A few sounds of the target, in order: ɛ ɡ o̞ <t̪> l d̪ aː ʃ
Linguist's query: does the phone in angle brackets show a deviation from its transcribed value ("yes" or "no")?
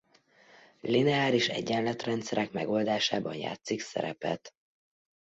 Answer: yes